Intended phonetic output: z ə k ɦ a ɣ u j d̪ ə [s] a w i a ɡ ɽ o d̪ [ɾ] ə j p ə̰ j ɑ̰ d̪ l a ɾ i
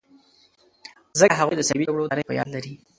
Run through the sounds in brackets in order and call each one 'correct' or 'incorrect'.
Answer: correct, correct

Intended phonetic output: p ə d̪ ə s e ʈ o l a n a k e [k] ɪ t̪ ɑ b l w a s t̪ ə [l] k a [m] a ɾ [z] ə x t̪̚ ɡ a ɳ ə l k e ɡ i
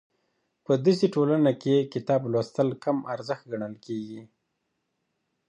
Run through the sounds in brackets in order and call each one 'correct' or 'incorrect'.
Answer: correct, correct, correct, correct

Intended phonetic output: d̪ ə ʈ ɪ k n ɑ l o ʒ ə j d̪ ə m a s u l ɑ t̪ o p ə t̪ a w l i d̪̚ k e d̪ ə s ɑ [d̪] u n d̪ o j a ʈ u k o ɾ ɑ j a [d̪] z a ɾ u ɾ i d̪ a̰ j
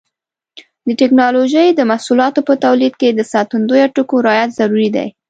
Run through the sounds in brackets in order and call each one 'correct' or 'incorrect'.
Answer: incorrect: t̪, incorrect: t̪

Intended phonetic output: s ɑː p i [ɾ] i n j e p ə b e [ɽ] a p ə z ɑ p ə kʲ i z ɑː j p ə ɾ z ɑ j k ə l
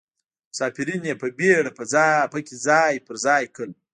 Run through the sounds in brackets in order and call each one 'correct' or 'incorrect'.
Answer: correct, correct

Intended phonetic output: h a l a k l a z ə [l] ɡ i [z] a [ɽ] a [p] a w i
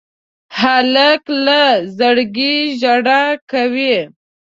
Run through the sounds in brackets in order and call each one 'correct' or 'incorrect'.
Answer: incorrect: ɽ, incorrect: ʒ, correct, incorrect: k

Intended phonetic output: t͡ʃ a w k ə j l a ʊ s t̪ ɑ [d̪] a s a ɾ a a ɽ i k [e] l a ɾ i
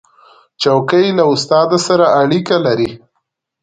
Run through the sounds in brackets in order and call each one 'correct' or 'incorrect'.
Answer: correct, incorrect: a

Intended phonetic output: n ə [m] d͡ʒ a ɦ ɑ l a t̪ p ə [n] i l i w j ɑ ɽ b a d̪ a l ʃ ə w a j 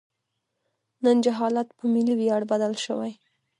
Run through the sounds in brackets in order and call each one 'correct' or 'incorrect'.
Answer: incorrect: n, incorrect: m

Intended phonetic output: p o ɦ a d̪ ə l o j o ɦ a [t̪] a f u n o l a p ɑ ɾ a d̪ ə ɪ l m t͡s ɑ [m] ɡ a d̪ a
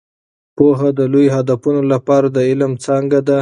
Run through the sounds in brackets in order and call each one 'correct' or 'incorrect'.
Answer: incorrect: d̪, incorrect: ŋ

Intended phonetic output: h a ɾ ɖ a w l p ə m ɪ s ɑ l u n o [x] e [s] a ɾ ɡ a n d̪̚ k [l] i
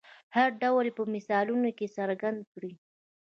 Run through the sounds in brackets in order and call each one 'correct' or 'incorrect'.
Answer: incorrect: k, correct, incorrect: ɽ

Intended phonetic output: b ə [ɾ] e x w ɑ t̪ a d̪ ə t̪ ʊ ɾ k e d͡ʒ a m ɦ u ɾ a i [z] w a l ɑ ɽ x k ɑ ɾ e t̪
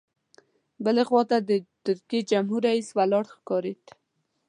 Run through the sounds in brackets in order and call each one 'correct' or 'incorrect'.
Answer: incorrect: l, incorrect: s

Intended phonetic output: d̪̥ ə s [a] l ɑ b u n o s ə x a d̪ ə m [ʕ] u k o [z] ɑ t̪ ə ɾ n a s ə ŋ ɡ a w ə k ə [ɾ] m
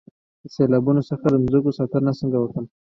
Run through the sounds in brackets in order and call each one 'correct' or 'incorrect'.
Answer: incorrect: e, incorrect: z, incorrect: s, incorrect: none

